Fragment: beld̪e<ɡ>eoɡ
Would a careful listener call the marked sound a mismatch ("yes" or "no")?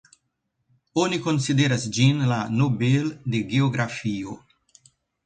no